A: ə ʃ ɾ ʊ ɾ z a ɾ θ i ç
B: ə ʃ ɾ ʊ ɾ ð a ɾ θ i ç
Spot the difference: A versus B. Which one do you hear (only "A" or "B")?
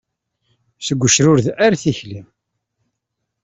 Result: B